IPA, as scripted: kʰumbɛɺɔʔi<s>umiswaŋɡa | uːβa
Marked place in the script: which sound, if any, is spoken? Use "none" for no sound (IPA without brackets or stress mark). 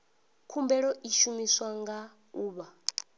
ʃ